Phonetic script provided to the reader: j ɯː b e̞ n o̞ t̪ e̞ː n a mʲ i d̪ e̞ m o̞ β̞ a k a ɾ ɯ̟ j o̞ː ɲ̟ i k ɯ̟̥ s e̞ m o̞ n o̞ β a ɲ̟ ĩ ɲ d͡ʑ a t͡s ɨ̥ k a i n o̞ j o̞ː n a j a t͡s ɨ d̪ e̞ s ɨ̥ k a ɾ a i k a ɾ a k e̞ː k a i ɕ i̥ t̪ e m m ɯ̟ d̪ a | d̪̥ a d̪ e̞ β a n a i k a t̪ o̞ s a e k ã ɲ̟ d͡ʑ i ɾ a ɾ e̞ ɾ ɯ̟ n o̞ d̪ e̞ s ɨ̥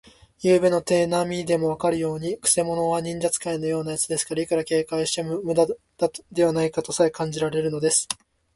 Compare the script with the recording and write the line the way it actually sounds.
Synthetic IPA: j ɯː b e̞ n o̞ t̪ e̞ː n a mʲ i d̪ e̞ m o̞ β̞ a k a ɾ ɯ̟ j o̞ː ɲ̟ i k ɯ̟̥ s e̞ m o̞ n o̞ β a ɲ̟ ĩ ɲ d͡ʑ a t͡s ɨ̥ k a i n o̞ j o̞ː n a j a t͡s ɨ d̪ e̞ s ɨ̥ k a ɾ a i k a ɾ a k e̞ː k a i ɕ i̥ t̪ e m m ɯ̟ d̪ a | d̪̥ a d̪ e̞ β a n a i k a t̪ o̞ s a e k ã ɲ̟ d͡ʑ i ɾ a ɾ e̞ ɾ ɯ̟ n o̞ d̪ e̞ s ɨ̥